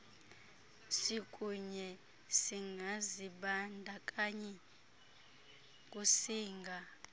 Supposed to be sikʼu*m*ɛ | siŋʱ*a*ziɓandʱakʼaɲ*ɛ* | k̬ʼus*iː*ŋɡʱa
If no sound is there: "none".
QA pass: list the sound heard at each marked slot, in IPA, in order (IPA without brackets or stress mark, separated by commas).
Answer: ɲ, a, ɛ, iː